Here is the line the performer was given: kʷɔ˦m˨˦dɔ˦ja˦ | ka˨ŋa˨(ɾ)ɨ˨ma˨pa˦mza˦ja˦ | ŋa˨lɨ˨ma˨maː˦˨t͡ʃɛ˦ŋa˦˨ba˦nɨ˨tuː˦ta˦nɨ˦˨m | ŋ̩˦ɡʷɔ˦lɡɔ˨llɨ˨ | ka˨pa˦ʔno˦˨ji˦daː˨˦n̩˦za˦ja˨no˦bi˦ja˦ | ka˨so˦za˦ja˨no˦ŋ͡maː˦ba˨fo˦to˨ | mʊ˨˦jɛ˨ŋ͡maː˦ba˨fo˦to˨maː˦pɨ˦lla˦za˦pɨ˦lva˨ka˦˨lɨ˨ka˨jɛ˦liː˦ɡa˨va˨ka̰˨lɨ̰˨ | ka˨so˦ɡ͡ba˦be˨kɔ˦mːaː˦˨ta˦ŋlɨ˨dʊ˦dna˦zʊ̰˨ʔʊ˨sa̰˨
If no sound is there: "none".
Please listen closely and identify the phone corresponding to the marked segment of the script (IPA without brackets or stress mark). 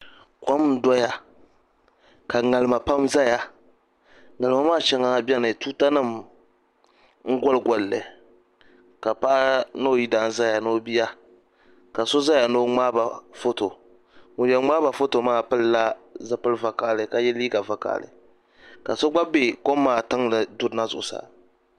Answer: l